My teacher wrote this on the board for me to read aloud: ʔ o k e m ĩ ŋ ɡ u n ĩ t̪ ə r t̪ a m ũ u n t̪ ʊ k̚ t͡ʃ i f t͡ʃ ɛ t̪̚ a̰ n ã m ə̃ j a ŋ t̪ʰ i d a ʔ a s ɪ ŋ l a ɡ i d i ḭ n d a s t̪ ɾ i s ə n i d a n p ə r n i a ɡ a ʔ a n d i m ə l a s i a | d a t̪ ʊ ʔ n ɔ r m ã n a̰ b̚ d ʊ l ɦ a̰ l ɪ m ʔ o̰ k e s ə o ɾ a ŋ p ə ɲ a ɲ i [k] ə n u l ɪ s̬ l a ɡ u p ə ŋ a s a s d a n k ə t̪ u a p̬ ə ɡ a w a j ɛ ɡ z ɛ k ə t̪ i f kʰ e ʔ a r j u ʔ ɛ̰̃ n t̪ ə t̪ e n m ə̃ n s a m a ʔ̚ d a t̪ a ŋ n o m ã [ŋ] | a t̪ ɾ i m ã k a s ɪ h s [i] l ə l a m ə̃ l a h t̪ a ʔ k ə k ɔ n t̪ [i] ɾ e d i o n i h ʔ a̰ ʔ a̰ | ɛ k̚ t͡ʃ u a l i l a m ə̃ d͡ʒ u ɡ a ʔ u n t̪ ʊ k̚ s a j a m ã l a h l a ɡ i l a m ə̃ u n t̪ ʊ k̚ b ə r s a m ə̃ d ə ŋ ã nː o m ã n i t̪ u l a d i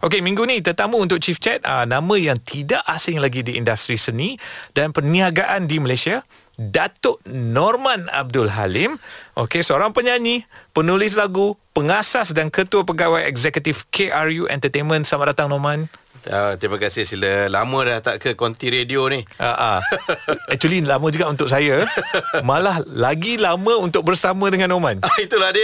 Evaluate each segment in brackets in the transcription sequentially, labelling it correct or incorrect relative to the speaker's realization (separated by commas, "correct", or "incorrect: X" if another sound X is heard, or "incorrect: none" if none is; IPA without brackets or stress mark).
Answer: incorrect: p, incorrect: n, correct, correct